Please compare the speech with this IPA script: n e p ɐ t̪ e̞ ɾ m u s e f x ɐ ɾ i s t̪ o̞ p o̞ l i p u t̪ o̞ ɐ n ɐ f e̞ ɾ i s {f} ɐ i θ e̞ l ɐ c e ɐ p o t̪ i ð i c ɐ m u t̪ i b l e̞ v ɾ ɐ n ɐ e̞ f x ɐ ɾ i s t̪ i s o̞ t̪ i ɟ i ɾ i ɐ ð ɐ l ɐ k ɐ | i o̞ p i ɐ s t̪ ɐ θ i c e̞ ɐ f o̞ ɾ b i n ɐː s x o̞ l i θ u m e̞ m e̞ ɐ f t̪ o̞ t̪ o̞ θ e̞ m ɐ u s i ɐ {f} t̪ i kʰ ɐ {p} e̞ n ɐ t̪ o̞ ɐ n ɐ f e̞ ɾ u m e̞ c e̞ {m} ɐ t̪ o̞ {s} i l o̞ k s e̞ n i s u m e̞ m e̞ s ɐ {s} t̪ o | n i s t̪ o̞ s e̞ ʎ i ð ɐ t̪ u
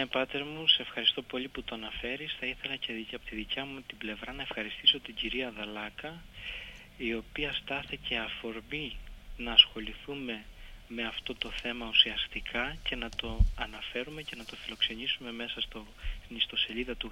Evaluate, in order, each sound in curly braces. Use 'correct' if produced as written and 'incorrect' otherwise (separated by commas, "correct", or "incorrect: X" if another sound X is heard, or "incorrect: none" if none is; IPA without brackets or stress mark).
incorrect: θ, incorrect: s, incorrect: c, incorrect: n, incorrect: f, correct